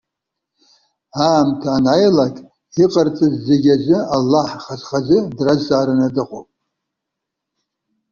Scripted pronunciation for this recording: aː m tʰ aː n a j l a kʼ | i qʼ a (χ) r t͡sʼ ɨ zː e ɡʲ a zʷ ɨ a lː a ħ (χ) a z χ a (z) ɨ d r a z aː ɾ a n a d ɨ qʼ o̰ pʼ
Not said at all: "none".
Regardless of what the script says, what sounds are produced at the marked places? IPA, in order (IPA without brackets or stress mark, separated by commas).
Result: none, χ, z